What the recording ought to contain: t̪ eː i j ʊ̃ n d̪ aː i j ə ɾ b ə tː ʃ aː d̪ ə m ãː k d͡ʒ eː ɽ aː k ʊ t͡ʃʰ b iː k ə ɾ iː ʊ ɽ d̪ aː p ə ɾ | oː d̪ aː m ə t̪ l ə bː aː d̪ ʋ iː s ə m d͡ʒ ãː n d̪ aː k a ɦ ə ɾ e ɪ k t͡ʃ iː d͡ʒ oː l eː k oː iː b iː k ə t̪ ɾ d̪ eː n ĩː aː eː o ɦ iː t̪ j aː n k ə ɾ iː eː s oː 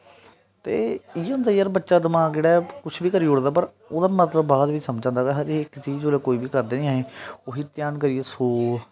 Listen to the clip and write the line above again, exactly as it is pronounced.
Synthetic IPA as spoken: t̪ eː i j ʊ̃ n d̪ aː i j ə ɾ b ə tː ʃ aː d̪ ə m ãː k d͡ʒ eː ɽ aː k ʊ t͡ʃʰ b iː k ə ɾ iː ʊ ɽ d̪ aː p ə ɾ | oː d̪ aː m ə t̪ l ə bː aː d̪ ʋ iː s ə m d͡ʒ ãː n d̪ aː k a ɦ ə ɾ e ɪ k t͡ʃ iː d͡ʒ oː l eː k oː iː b iː k ə ɾ d̪ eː n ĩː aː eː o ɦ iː t̪ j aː n k ə ɾ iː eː s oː